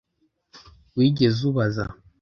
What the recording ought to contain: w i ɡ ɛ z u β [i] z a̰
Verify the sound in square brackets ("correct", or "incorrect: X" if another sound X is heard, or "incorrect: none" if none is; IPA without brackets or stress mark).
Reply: incorrect: a